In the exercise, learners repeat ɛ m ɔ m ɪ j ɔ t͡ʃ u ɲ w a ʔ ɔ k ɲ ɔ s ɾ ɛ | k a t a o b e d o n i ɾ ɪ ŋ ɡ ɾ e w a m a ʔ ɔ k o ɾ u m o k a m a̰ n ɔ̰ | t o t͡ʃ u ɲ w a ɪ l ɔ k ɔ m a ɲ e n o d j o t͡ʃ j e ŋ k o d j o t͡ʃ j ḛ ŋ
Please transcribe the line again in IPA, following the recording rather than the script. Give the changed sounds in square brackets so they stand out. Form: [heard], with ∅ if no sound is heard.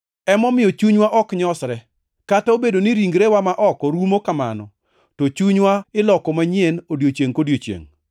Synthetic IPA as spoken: ɛ m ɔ m ɪ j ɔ t͡ʃ u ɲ w a ʔ ɔ k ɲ ɔ s ɾ ɛ | k a t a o b e d o n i ɾ [i] ŋ ɡ ɾ e w a m a ʔ ɔ k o ɾ u m o k a m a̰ n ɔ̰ | t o t͡ʃ u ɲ w a ɪ l ɔ k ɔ m a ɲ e n o d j o t͡ʃ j e ŋ k o d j o t͡ʃ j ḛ ŋ